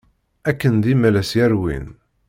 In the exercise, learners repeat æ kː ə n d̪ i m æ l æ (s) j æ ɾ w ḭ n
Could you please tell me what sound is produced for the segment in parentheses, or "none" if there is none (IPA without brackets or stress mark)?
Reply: s